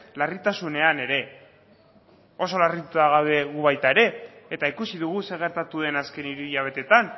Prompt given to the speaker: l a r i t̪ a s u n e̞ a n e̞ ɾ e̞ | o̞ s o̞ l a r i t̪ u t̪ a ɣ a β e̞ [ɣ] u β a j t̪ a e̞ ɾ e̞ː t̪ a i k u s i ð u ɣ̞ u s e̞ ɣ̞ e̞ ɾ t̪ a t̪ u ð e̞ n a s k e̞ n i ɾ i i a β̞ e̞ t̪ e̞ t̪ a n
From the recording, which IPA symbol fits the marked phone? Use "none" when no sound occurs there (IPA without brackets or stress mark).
ɣ